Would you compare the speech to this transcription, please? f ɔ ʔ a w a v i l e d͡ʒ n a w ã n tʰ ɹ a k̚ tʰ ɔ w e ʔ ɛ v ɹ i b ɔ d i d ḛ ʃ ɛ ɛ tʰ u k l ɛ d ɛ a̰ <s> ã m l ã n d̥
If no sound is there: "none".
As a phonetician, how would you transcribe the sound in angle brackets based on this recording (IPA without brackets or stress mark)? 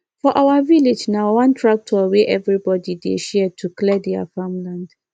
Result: f